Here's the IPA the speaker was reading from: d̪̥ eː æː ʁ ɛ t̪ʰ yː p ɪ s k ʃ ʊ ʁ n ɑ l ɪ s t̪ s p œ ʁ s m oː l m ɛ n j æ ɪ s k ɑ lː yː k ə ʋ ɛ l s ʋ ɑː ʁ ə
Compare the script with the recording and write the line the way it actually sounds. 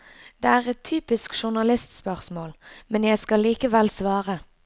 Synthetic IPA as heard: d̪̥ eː æː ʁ ɛ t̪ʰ yː p ɪ s k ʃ ʊ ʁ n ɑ l ɪ s t̪ s p œ ʁ s m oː l m ɛ n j æ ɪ s k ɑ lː iː k ə ʋ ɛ l s ʋ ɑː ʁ ə